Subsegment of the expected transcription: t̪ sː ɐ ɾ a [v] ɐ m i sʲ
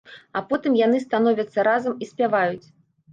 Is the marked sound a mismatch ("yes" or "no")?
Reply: yes